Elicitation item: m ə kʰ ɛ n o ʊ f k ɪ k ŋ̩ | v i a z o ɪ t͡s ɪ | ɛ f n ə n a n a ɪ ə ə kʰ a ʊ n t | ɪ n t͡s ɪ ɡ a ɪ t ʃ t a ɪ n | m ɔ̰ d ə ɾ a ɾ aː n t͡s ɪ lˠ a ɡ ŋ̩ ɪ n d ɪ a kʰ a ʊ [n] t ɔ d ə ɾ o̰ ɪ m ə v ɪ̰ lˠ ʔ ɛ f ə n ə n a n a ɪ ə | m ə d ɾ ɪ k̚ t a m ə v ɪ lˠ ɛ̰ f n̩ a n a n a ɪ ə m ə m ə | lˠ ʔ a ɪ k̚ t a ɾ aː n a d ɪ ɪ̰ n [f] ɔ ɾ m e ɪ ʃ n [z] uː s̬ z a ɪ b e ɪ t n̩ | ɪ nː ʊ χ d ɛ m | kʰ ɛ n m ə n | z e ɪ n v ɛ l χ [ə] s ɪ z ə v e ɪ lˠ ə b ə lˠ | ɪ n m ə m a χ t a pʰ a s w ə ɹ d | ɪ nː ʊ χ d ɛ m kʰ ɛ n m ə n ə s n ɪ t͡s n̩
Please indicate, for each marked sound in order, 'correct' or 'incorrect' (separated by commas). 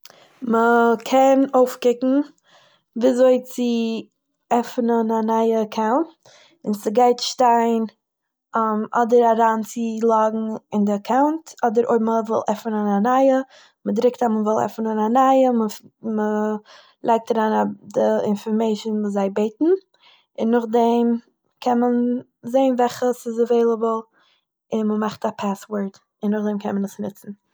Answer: correct, correct, incorrect, correct